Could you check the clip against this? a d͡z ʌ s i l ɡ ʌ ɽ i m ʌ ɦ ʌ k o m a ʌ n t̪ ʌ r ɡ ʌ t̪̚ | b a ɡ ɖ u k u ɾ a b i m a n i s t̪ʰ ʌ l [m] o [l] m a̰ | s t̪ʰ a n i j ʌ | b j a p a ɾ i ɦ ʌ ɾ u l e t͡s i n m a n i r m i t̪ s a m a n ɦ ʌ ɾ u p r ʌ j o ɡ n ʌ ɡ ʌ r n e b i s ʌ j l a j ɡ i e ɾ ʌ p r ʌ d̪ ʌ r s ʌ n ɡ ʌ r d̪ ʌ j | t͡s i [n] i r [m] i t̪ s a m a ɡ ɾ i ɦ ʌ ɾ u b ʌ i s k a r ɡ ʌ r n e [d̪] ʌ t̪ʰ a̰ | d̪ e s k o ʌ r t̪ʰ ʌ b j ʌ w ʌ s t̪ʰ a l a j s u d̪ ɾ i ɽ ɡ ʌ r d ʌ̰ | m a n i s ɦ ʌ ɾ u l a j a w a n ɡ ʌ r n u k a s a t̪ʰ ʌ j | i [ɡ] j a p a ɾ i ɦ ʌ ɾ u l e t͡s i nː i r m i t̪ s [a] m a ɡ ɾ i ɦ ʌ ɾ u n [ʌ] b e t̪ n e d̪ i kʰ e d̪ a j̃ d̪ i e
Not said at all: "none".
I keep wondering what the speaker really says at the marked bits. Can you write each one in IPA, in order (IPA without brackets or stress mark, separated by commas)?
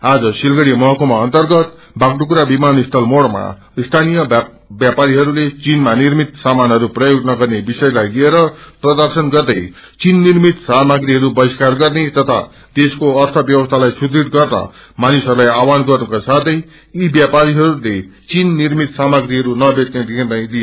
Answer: m, ɽ, nː, m, t̪, b, a, ʌ